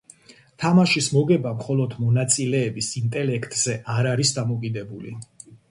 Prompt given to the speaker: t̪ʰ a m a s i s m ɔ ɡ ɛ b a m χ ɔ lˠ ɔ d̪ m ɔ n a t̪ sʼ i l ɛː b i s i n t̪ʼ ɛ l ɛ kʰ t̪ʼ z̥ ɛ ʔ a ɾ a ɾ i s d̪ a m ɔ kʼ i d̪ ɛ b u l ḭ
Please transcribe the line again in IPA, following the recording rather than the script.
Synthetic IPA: t̪ʰ a m a ʃ i s m ɔ ɡ ɛ b a m χ ɔ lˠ ɔ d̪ m ɔ n a t̪ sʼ i l ɛː b i s i n t̪ʼ ɛ l ɛ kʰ t̪ʼ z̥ ɛ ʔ a ɾ a ɾ i s d̪ a m ɔ kʼ i d̪ ɛ b u l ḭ